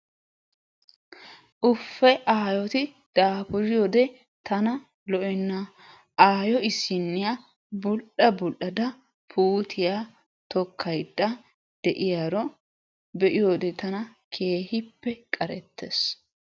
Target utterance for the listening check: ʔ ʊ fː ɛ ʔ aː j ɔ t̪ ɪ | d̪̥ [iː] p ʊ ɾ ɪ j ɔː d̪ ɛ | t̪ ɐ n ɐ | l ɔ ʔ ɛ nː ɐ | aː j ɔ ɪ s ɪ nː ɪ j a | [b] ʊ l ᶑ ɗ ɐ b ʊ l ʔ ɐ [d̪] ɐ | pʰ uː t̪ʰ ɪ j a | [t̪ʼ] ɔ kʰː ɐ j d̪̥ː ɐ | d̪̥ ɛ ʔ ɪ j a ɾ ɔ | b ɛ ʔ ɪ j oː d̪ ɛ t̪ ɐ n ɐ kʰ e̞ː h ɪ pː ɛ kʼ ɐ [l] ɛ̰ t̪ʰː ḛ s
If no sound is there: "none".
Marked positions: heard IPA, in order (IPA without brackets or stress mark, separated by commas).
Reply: aː, b, d̪, t̪, ɾ